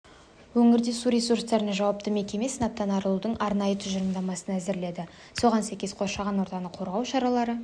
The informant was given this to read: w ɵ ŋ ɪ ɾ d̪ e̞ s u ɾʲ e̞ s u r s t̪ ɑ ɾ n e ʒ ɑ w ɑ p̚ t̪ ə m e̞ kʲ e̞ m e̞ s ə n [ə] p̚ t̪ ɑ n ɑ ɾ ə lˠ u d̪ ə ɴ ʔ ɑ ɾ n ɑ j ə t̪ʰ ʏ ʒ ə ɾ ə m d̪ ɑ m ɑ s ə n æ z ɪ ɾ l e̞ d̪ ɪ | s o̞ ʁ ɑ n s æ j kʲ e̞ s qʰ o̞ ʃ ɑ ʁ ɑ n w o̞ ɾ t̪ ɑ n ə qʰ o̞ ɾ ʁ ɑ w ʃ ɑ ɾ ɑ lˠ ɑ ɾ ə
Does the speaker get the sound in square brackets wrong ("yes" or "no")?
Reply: yes